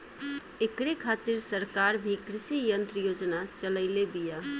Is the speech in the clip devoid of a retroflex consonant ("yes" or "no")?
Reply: yes